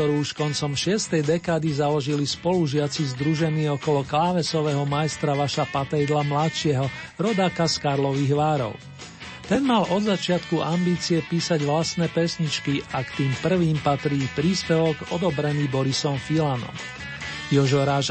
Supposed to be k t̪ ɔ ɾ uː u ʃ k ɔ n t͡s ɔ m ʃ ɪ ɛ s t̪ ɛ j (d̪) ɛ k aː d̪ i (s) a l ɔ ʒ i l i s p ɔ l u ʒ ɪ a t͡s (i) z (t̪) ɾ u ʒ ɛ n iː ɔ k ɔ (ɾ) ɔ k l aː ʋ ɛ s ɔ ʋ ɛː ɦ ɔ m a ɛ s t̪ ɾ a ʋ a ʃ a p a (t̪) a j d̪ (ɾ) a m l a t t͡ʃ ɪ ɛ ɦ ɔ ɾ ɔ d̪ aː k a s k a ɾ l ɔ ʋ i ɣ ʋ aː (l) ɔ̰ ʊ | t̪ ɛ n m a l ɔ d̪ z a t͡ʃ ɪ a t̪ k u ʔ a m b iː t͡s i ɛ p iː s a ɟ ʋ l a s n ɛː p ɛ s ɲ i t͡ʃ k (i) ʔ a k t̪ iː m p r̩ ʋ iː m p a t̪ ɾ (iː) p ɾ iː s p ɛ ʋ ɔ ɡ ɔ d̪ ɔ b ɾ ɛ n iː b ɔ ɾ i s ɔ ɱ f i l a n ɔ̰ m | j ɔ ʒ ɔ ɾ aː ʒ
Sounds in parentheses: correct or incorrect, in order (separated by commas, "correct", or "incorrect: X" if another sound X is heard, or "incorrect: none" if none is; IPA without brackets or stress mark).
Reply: correct, incorrect: z, correct, incorrect: d̪, incorrect: l, correct, incorrect: l, incorrect: ɾ, correct, correct